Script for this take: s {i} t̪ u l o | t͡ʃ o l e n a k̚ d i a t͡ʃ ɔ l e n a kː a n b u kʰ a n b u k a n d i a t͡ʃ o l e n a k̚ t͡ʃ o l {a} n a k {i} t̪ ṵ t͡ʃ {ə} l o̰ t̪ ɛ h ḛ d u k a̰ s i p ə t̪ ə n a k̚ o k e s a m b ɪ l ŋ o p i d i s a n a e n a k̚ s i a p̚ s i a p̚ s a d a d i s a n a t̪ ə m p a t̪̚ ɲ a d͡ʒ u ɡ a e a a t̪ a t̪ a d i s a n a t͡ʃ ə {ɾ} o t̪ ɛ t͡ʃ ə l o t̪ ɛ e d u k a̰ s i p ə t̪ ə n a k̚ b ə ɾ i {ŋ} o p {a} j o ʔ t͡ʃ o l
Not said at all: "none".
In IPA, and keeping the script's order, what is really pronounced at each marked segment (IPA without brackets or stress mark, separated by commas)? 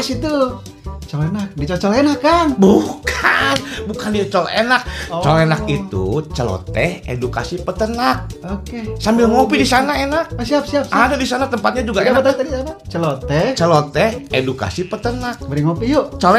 i, e, i, ə, l, ŋ, i